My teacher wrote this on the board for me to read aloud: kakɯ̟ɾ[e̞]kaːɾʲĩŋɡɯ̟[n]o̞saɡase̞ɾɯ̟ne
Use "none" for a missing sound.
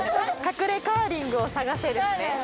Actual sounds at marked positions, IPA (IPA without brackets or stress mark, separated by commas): e̞, none